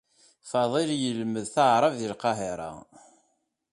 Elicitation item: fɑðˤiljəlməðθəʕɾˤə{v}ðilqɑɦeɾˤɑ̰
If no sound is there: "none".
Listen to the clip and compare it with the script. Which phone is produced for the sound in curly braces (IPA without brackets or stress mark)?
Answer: v